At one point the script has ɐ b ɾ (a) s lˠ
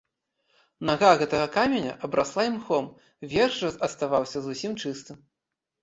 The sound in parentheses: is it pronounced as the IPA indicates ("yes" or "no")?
yes